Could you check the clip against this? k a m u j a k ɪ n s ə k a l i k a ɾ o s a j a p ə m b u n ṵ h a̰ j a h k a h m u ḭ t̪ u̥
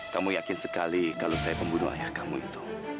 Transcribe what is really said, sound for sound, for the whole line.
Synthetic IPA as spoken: k a m u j a k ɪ n s ə k a l i k a l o s a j a p ə m b u n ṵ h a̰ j a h k a m u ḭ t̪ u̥